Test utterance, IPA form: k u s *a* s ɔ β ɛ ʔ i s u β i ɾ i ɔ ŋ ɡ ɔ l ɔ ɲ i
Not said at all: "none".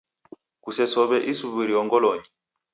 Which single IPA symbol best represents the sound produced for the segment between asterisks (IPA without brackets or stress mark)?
ɛ